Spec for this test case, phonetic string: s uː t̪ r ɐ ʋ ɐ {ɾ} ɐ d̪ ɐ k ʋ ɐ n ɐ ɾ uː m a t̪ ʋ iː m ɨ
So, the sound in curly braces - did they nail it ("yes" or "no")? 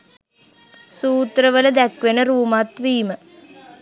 no